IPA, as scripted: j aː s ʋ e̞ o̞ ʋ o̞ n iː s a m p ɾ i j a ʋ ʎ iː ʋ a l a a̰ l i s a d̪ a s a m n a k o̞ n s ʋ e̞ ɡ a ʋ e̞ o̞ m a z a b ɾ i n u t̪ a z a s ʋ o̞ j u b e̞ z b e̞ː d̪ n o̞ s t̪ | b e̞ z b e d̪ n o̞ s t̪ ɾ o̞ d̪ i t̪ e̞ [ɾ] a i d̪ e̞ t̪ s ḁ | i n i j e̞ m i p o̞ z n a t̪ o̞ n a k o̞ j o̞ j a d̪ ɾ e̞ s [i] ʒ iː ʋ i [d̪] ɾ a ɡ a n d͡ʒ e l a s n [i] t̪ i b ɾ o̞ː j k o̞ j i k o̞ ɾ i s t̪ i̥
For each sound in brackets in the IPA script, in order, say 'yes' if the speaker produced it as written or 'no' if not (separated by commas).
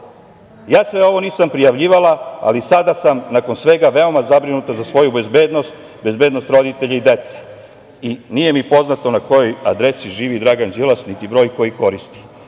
no, yes, yes, yes